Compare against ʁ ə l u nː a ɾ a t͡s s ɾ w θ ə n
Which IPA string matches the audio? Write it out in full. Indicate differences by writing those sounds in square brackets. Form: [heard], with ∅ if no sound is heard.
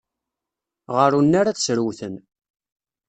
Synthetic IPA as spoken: ʁ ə [ɾ] u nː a ɾ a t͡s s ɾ w θ ə n